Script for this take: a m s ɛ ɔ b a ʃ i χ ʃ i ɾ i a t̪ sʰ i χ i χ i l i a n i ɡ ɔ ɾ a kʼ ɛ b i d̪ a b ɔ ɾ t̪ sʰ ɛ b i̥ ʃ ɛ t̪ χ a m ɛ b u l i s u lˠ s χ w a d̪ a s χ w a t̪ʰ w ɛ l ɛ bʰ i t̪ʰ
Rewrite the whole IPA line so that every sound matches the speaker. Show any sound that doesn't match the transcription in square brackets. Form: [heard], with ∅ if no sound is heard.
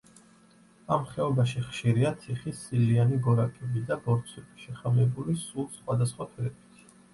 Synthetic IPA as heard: a m [χ] ɛ ɔ b a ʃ i χ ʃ i ɾ i a t̪ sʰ i χ i [s] i l i a n i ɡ ɔ ɾ a kʼ ɛ b i d̪ a b ɔ ɾ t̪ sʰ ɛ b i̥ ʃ ɛ [∅] χ a m ɛ b u l i s u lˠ s χ w a d̪ a s χ w a t̪ʰ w ɛ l ɛ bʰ i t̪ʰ